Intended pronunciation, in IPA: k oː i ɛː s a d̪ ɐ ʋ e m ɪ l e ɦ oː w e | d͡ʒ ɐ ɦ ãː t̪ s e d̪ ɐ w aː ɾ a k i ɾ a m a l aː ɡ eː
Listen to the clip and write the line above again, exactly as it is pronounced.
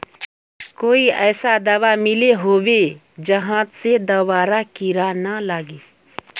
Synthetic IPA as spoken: k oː i ɛː s a d̪ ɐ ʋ a m ɪ l e ɦ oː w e | d͡ʒ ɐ ɦ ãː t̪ s e d̪ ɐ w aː ɾ a k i ɾ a n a l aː ɡ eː